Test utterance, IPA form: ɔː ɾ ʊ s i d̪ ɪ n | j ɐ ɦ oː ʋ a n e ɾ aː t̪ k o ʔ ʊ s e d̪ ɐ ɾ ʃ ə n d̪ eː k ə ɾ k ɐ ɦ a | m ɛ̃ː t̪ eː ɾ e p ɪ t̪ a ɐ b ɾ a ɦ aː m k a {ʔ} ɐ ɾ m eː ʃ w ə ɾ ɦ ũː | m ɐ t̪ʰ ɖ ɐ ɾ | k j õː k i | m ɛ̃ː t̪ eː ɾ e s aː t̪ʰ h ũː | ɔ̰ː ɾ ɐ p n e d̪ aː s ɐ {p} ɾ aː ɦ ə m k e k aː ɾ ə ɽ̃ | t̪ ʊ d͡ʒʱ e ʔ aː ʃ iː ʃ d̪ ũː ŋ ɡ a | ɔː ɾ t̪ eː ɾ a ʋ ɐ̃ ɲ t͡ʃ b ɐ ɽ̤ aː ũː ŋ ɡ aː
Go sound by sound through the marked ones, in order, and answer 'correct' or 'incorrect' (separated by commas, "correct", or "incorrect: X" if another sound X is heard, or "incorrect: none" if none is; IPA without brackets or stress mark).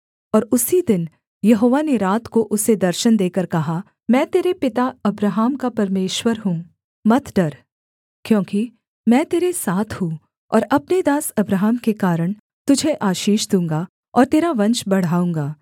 incorrect: p, incorrect: b